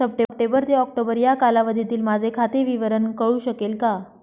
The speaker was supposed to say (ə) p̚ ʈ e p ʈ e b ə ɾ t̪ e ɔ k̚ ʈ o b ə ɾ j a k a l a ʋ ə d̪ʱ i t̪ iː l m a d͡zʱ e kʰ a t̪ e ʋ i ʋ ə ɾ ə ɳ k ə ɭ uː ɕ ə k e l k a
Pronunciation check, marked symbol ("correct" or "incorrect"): correct